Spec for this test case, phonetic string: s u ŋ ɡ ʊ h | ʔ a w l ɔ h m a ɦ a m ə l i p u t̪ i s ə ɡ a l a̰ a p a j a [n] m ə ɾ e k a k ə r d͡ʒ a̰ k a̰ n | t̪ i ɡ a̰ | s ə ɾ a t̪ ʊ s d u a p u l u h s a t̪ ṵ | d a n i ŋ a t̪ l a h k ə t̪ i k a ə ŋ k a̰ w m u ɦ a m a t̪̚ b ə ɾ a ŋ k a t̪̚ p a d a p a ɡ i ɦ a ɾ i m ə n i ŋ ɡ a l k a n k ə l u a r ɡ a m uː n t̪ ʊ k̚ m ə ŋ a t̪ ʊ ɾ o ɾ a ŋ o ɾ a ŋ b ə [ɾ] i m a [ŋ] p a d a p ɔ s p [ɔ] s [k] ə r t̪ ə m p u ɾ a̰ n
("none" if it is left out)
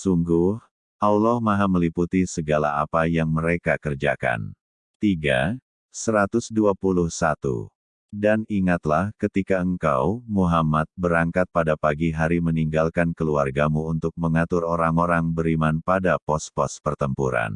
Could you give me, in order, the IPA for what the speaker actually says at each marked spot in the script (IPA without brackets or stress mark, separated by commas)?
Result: ŋ, ɾ, n, ɔ, p